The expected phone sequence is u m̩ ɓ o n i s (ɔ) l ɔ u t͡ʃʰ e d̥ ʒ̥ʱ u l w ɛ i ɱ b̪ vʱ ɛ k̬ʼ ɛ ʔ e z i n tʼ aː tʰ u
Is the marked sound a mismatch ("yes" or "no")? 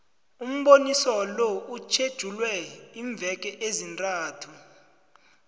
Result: no